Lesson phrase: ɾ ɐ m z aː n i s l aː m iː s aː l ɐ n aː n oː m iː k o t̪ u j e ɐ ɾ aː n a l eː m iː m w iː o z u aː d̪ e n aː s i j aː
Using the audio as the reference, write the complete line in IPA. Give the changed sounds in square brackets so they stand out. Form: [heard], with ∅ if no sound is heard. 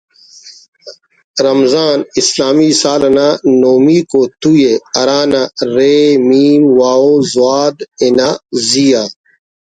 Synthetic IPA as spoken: ɾ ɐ m z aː n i s l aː m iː s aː l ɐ n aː n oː m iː k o t̪ u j e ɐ ɾ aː n a [ɾ] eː m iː m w [aː] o z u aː d̪ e n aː [z] i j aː